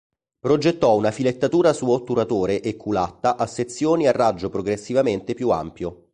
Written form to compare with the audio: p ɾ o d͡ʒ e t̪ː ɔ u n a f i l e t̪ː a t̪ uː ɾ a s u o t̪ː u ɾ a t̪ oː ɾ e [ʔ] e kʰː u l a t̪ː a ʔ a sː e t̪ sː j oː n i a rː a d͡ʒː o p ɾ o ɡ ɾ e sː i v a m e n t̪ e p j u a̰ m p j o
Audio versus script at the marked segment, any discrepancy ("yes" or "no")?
no